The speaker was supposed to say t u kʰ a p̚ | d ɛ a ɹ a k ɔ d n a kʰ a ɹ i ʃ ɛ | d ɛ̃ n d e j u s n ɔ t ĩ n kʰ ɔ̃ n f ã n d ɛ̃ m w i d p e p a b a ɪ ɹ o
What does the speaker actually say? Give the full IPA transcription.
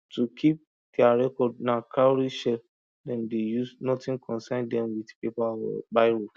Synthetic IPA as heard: t u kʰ i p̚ | d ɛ a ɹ ɛ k ɔ d n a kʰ a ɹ i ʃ ɛ | d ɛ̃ n d e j u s n ɔ t ĩ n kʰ ɔ̃ n s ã n d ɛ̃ m w i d p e p a b a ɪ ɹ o